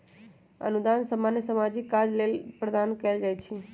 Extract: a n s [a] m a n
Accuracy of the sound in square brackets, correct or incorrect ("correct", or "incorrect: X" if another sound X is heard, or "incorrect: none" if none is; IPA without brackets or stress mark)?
incorrect: ə